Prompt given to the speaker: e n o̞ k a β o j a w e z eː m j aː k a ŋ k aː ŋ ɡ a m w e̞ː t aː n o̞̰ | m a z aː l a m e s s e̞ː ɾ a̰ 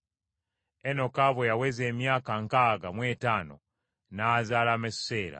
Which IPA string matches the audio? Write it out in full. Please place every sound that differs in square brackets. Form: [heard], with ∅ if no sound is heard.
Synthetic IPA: e n o̞ k a β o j a w e z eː m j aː k a ŋ k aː [∅] ɡ a m w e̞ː t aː n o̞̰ | [n] a z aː l a m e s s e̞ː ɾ a̰